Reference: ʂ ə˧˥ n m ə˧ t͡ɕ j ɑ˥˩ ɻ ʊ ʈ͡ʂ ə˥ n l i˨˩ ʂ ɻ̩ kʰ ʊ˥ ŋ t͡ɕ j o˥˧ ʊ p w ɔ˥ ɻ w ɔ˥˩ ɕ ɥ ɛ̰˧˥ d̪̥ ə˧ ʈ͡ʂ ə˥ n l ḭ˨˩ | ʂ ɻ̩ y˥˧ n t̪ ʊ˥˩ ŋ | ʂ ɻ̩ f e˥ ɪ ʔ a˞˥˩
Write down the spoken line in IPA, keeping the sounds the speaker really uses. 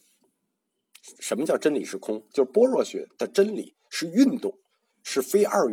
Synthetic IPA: ʂ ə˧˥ n m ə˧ t͡ɕ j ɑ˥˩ ʊ ʈ͡ʂ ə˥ n l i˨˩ ʂ ɻ̩ kʰ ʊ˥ ŋ t͡ɕ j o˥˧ ʊ p w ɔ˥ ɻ w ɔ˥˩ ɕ ɥ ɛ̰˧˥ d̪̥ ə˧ ʈ͡ʂ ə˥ n l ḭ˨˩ | ʂ ɻ̩ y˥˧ n t̪ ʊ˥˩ ŋ | ʂ ɻ̩ f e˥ ɪ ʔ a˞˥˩